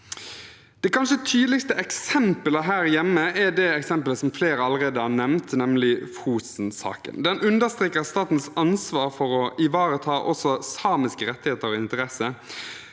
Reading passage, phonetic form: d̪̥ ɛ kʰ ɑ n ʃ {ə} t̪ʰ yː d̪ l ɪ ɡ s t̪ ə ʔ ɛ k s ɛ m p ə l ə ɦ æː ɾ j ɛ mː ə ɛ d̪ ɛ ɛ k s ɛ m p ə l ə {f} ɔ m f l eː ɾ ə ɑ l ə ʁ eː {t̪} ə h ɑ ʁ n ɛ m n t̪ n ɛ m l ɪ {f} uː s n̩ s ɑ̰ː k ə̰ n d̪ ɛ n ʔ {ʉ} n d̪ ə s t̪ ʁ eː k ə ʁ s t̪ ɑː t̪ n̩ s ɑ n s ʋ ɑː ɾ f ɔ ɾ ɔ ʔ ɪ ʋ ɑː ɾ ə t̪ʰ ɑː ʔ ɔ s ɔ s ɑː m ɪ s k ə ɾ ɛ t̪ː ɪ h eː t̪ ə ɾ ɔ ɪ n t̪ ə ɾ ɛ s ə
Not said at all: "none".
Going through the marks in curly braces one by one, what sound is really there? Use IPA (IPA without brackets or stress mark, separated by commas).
ə, s, d̪, f, ʉ